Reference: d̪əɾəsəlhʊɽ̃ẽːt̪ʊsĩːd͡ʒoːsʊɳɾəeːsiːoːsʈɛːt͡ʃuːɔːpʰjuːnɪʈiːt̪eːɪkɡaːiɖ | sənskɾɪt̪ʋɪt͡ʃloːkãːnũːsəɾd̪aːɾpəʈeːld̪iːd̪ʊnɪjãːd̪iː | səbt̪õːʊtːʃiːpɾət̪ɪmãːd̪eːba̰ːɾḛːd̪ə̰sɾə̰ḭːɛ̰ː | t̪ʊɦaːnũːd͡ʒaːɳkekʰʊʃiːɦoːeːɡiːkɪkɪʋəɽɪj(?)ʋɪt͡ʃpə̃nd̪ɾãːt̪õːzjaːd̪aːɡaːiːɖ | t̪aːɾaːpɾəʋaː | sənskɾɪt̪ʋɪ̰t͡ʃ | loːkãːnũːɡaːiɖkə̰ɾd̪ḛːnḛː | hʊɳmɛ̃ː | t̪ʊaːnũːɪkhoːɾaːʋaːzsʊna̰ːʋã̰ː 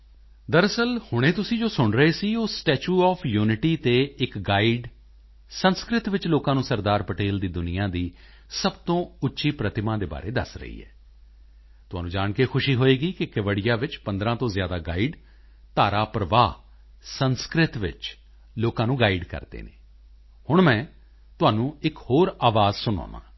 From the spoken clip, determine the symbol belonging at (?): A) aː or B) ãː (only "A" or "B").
A